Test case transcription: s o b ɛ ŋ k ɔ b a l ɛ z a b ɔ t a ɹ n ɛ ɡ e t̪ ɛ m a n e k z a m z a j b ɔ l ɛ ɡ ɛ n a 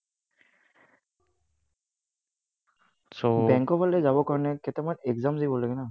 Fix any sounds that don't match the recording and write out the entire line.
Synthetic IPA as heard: s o b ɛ ŋ k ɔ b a l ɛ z a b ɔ k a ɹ n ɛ k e t̪ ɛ m a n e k z a m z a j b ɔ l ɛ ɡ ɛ n a